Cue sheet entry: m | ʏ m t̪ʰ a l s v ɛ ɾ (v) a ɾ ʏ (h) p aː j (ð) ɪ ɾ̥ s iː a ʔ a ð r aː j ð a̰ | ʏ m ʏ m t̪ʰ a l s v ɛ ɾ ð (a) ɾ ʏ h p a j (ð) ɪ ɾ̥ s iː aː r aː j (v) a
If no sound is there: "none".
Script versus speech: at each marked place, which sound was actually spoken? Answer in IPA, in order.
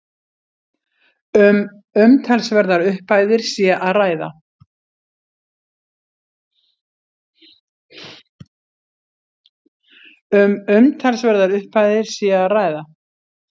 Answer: ð, h, ð, a, ð, ð

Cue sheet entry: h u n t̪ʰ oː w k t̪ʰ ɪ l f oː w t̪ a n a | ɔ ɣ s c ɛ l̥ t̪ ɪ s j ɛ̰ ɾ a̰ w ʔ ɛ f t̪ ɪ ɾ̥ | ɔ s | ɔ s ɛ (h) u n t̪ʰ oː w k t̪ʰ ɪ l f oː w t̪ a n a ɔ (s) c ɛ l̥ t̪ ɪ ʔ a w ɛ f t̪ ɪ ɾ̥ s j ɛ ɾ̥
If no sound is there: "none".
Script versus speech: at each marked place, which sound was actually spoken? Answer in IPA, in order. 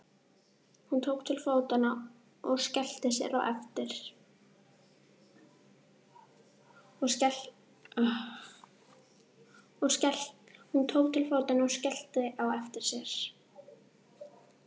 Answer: h, s

